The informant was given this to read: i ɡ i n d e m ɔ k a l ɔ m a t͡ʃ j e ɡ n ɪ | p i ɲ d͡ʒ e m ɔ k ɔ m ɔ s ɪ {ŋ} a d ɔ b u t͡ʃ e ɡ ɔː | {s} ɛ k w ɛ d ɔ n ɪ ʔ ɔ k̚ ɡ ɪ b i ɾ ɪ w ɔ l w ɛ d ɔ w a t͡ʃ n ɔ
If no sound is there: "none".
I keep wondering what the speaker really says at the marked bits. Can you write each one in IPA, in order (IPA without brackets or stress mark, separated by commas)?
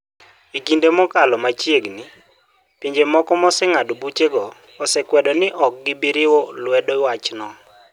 ŋ, s